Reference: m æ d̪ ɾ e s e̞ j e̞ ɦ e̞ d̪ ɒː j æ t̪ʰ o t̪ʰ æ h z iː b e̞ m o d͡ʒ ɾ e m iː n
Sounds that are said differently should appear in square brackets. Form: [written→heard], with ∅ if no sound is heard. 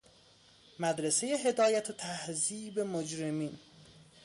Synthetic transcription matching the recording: m æ d̪ ɾ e s e̞ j e̞ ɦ e̞ d̪ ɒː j æ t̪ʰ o t̪ʰ æ h z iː b e̞ m o d͡ʒ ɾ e m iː n